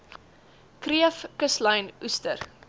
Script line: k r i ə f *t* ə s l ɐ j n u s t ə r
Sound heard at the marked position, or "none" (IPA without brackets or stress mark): k